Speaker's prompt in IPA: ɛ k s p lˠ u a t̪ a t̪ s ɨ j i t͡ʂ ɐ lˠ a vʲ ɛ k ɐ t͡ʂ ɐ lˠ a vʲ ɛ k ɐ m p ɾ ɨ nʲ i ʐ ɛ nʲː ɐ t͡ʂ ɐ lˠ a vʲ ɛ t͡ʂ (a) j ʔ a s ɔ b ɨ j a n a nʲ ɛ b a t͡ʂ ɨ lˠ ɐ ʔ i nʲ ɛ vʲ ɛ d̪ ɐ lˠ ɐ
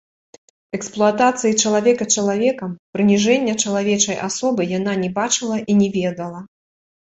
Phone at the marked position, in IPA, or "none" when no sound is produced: ɐ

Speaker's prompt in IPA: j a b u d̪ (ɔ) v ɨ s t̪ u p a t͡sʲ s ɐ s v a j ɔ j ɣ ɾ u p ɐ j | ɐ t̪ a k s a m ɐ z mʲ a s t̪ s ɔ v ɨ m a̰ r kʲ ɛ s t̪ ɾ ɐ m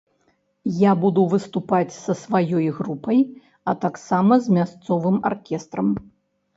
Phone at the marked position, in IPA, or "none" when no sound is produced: u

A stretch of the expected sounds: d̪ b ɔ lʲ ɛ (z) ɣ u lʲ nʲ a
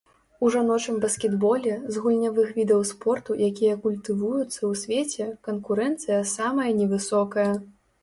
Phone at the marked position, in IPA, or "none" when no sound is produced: z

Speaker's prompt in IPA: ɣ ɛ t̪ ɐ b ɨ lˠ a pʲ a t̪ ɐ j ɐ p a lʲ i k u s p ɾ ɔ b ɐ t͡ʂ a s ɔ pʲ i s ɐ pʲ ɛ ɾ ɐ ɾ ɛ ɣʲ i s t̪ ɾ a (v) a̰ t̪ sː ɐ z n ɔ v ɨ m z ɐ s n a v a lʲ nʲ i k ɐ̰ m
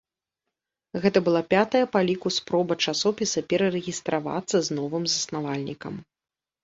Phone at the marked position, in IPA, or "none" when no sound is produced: v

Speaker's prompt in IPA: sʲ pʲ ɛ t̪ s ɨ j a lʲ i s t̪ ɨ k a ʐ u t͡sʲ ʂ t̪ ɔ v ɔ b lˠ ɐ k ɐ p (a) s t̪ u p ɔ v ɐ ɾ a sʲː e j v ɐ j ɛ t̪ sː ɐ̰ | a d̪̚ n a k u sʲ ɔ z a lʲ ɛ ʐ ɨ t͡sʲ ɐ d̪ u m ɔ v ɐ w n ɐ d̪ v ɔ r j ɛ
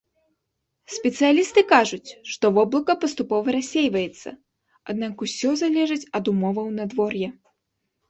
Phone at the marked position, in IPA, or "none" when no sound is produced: ɐ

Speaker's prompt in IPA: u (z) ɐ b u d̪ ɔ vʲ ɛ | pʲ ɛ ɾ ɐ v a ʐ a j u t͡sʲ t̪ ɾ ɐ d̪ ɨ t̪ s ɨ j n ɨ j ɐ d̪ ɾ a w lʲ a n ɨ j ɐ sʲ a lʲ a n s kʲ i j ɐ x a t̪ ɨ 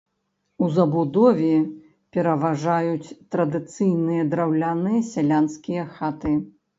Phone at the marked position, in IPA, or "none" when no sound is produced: z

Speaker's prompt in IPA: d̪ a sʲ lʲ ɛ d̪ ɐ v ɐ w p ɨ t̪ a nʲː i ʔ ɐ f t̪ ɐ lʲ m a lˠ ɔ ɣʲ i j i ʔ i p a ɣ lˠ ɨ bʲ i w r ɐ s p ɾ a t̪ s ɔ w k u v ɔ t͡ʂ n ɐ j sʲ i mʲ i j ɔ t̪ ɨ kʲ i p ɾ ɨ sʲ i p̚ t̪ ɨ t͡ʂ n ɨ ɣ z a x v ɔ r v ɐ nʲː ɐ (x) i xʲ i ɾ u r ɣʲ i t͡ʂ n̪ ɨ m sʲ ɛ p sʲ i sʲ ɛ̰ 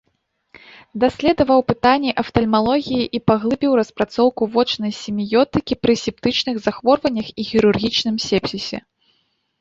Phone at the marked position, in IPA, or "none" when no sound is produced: x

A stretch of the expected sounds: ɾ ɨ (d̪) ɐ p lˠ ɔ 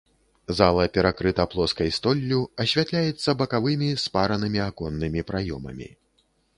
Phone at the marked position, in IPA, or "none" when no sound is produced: t̪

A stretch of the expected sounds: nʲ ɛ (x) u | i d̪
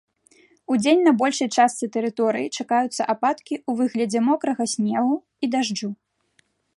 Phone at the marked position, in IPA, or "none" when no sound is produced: ɣ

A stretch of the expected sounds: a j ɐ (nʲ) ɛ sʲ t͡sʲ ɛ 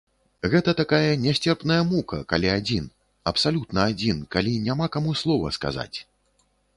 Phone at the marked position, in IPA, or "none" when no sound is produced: nʲ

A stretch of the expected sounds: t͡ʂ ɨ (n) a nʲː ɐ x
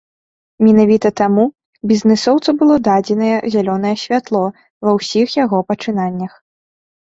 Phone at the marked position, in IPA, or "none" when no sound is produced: n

